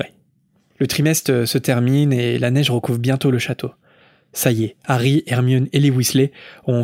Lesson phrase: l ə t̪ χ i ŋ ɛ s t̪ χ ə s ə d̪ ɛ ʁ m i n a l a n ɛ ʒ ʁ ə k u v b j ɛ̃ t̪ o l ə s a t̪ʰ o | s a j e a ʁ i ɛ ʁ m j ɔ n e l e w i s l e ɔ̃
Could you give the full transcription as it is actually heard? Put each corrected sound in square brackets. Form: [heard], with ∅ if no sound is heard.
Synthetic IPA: l ə t̪ χ i [m] ɛ s t̪ χ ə s ə [t̪] ɛ ʁ m i n [e] l a n ɛ ʒ ʁ ə k u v b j ɛ̃ t̪ o l ə [ʃ] a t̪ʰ o | s a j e a ʁ i ɛ ʁ m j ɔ n e l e w i s l e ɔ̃